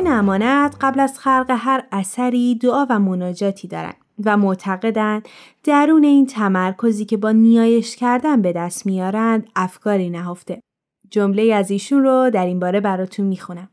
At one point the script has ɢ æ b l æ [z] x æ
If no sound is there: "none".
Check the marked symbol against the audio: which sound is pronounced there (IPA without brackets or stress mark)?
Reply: z